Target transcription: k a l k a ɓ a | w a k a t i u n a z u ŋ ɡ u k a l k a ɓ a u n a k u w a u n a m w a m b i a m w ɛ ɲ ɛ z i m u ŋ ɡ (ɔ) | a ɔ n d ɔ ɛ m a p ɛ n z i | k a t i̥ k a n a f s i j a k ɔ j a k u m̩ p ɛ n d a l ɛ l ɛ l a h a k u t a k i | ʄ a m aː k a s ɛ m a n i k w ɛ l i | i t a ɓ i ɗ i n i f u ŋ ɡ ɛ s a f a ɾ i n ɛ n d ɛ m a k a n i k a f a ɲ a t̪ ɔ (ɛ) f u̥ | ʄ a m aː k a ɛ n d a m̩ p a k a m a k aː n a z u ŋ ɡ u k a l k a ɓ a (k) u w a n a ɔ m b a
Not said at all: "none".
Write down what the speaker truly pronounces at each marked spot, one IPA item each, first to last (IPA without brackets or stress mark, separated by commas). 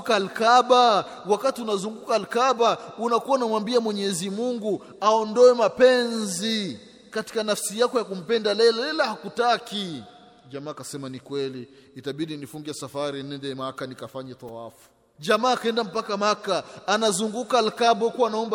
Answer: u, a, k